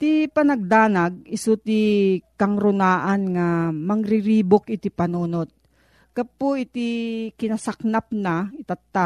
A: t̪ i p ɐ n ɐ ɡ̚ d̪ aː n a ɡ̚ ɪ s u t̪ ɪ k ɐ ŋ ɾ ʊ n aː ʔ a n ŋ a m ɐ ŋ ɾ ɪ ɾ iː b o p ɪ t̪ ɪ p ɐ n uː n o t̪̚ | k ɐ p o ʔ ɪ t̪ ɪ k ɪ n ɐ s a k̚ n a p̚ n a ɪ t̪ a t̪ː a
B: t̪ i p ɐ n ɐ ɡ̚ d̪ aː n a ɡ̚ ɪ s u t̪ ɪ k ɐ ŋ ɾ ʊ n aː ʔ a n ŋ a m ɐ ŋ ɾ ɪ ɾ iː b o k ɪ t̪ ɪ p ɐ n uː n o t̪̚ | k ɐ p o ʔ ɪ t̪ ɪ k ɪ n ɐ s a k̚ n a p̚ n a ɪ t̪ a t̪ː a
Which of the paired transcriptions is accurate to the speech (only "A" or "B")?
B